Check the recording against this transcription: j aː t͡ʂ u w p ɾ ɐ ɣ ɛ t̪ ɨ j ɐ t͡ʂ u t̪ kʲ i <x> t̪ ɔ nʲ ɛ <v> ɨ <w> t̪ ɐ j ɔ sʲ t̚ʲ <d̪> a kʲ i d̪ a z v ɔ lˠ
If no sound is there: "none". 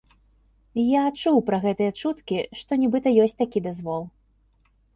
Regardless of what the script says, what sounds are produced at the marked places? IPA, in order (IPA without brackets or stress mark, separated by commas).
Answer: ʂ, b, none, t̪